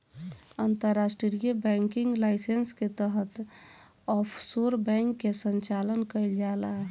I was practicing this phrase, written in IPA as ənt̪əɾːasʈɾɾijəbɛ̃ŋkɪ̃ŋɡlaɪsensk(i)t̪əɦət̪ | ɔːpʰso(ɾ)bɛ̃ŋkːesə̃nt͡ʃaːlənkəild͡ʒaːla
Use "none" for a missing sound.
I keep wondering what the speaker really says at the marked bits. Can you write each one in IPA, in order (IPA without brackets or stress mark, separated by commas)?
e, ɾ